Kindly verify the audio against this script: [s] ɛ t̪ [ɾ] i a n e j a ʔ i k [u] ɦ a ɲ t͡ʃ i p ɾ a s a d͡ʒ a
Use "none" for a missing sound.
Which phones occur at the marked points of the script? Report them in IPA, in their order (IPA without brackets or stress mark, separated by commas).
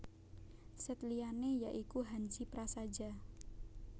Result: s, l, u